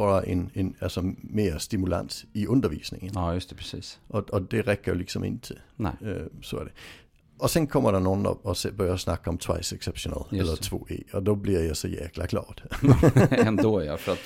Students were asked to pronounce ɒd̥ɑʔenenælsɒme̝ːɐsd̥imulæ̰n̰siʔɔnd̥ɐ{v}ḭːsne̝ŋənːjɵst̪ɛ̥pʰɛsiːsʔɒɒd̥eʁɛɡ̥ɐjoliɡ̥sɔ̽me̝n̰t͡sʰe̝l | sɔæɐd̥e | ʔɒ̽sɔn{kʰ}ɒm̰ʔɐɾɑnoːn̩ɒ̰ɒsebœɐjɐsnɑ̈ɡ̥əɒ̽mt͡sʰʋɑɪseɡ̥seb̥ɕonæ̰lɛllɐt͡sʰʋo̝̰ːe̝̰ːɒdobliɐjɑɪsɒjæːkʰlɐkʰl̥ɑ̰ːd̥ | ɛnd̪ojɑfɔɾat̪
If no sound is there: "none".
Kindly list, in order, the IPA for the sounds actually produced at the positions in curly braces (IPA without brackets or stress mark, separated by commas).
ʋ, kʰ